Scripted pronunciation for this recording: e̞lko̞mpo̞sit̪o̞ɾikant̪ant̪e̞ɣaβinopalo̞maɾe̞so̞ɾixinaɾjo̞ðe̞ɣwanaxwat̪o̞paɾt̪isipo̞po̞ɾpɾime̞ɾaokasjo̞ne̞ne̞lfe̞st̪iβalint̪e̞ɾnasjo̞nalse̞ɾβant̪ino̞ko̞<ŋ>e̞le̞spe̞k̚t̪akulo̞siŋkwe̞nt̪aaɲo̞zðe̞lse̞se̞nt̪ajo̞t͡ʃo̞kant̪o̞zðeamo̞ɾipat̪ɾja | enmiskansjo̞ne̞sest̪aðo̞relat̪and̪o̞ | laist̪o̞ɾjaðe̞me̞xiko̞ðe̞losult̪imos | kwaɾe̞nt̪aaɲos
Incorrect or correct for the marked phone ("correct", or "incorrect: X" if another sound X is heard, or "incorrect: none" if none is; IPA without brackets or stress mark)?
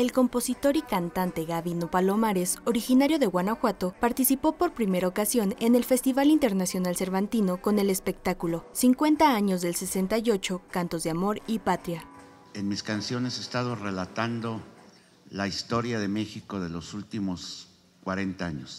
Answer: incorrect: n